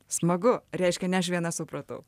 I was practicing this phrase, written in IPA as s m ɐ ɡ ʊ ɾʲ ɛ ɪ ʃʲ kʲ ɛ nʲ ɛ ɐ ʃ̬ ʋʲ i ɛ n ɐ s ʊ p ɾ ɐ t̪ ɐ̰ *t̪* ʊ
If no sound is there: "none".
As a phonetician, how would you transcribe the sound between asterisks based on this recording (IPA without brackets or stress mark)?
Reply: none